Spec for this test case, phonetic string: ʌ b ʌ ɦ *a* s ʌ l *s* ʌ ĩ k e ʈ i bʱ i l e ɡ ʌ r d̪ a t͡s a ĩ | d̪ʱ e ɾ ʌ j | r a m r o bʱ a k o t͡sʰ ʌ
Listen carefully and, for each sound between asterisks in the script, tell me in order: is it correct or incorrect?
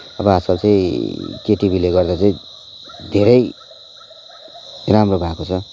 correct, incorrect

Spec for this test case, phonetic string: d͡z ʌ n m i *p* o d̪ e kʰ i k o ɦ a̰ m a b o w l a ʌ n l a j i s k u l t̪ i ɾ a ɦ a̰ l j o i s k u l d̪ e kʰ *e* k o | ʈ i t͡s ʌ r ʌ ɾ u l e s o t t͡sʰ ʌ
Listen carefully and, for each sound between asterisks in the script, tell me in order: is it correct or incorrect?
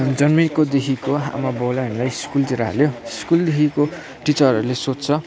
incorrect, incorrect

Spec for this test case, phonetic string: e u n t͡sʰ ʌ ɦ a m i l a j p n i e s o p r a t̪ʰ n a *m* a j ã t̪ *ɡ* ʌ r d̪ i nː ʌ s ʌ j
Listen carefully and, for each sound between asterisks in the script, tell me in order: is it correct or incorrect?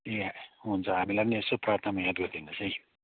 correct, correct

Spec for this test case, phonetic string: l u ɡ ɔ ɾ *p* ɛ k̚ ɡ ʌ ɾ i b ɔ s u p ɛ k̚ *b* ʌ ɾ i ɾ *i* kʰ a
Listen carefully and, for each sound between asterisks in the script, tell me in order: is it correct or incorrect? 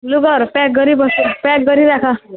correct, incorrect, incorrect

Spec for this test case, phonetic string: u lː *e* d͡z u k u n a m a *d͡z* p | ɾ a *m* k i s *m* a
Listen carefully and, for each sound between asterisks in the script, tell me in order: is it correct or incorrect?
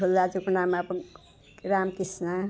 incorrect, incorrect, correct, incorrect

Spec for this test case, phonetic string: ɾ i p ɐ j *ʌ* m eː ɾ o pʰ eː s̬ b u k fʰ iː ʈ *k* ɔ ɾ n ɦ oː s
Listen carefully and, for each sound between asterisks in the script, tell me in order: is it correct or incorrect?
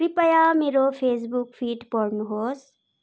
incorrect, incorrect

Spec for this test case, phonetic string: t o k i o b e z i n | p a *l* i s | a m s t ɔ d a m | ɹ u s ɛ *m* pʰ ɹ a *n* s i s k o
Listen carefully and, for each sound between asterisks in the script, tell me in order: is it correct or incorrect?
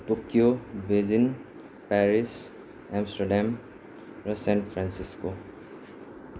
incorrect, incorrect, correct

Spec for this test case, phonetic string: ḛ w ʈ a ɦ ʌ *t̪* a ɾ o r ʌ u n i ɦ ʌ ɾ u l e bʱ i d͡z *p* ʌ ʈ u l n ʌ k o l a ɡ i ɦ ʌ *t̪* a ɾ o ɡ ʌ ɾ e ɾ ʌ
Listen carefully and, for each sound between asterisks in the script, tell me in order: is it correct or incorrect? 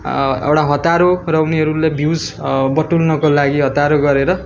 correct, incorrect, correct

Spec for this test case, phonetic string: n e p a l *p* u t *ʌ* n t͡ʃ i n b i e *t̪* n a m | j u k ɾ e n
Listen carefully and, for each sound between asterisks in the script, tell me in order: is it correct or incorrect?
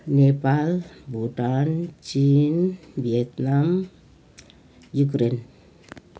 incorrect, incorrect, correct

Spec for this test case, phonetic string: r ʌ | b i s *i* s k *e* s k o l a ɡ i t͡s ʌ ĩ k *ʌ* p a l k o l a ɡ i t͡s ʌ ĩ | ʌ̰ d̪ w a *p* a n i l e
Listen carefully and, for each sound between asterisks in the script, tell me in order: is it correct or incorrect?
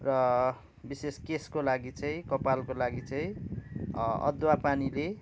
incorrect, correct, correct, correct

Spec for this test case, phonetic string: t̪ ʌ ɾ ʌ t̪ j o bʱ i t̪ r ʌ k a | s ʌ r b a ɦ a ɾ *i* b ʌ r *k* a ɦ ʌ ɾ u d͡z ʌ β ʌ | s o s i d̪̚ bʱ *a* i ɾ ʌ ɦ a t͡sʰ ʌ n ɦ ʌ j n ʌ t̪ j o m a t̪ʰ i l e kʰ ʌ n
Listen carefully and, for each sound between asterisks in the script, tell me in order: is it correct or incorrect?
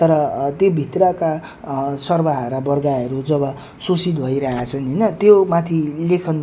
incorrect, incorrect, incorrect

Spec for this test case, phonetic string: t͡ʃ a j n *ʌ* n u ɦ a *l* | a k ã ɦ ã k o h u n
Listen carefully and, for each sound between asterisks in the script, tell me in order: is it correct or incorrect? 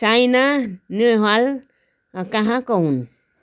incorrect, correct

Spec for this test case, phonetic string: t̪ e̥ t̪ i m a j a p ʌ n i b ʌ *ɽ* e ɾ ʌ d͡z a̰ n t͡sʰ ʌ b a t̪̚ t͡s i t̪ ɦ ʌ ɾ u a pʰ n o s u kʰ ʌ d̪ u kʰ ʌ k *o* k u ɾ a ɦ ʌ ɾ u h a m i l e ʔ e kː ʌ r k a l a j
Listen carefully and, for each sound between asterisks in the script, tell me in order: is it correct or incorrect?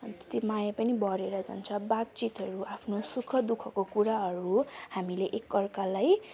incorrect, correct

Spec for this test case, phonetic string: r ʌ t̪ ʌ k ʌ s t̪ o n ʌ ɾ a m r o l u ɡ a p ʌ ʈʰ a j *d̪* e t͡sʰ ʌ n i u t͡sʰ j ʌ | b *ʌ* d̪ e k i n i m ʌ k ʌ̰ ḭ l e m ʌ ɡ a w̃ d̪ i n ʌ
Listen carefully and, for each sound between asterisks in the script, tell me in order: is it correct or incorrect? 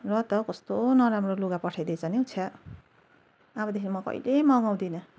correct, correct

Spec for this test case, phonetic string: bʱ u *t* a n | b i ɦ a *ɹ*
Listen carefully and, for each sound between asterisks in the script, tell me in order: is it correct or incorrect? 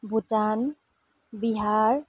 correct, correct

